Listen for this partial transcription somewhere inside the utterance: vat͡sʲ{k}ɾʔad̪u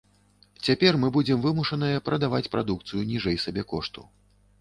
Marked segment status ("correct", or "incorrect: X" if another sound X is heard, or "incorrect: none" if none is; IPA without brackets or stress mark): incorrect: p